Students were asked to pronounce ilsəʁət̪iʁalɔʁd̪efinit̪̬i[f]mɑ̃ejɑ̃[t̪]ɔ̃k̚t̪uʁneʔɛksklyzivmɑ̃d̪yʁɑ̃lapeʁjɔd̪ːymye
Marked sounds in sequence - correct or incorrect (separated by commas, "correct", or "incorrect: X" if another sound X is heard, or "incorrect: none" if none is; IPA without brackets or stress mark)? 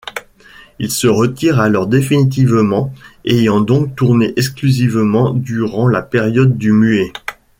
incorrect: v, incorrect: d̪